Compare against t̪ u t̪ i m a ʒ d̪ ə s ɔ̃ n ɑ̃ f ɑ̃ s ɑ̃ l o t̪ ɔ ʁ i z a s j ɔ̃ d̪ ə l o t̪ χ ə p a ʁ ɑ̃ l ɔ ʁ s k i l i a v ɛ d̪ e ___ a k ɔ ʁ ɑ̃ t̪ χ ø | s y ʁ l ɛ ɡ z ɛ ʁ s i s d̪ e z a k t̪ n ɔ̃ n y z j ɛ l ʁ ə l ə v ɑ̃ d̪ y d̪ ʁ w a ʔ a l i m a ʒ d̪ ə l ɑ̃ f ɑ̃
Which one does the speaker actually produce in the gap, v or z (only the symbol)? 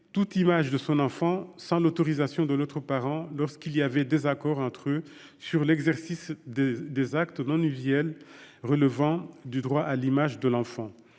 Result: z